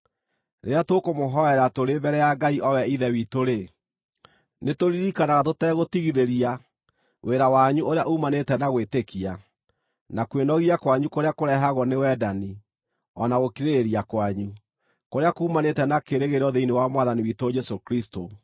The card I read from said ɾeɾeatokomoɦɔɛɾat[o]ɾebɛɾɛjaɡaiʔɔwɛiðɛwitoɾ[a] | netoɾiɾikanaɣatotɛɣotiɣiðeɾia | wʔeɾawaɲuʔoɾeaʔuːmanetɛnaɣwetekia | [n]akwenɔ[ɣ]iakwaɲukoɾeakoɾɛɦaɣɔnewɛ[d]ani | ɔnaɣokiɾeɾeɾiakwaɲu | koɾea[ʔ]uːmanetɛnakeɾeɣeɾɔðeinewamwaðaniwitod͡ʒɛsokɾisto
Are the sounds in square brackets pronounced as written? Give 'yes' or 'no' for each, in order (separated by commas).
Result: yes, no, yes, yes, yes, no